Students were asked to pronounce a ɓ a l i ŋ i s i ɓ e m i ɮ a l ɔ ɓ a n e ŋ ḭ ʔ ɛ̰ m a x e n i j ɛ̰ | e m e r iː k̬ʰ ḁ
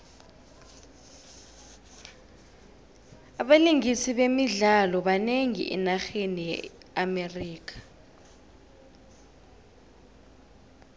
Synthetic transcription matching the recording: a ɓ a l i ŋ i s i ɓ e m i ɮ a l ɔ ɓ a n e ŋ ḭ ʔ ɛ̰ n a x e n i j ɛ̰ | a m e r iː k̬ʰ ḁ